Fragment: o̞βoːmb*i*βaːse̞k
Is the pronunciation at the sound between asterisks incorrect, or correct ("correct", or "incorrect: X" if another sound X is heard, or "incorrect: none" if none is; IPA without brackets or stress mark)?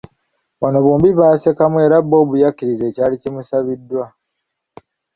correct